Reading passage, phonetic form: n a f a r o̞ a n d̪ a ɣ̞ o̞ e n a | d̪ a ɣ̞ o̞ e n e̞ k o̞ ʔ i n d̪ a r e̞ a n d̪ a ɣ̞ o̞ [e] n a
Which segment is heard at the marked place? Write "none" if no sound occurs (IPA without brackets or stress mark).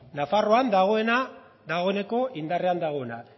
e